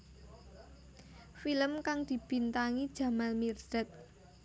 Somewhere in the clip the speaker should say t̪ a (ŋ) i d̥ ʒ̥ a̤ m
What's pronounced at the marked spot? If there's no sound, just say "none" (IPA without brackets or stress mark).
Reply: ŋ